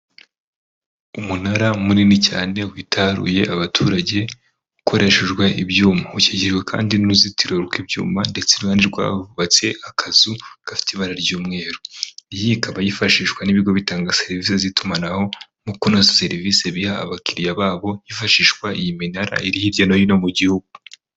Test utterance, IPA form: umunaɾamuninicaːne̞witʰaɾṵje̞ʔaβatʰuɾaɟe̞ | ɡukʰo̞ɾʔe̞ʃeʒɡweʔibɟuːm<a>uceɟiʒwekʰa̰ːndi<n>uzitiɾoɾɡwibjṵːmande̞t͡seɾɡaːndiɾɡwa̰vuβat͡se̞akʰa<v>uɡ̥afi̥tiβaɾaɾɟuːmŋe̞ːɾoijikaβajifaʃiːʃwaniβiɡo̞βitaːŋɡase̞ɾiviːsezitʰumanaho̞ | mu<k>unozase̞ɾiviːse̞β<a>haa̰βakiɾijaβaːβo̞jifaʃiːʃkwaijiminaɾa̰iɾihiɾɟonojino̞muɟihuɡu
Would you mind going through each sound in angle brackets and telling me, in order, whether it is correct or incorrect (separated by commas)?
correct, correct, incorrect, correct, incorrect